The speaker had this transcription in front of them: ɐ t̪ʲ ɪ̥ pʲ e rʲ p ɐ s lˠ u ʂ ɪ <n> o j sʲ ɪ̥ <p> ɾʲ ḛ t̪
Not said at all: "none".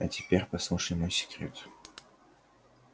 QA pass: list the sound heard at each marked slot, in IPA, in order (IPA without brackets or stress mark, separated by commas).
m, k